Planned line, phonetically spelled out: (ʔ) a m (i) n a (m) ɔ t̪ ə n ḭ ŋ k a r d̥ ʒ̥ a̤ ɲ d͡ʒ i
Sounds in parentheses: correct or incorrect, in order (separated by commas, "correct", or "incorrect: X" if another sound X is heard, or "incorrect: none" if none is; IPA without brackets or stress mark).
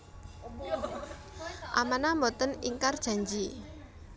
correct, incorrect: a, correct